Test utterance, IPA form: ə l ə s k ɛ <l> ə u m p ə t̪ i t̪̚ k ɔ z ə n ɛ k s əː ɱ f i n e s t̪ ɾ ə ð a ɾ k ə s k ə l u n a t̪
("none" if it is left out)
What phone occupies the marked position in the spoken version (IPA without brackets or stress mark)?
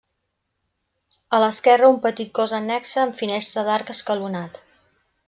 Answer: r